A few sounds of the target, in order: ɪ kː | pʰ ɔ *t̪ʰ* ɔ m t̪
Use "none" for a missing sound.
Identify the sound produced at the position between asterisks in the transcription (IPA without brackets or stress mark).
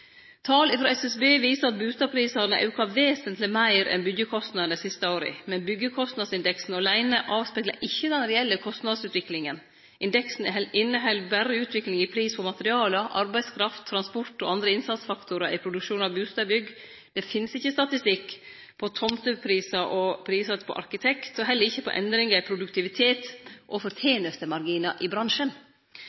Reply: t̪ʰ